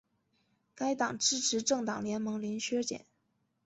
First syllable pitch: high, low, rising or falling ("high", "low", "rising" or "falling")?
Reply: high